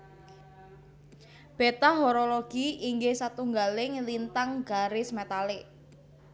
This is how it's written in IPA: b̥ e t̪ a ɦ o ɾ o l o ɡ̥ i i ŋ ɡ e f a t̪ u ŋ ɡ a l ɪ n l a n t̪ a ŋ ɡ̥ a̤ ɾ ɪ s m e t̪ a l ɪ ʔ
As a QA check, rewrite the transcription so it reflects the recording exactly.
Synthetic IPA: b̥ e t̪ a ɦ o ɾ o l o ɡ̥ i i ŋ ɡ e s a t̪ u ŋ ɡ a l ɪ ŋ l i n t̪ a ŋ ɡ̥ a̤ ɾ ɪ s m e t̪ a l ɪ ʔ